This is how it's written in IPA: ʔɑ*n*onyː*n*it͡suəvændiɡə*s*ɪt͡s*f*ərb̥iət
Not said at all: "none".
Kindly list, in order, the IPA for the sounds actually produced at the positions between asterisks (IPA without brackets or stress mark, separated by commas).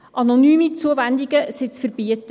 n, m, s, f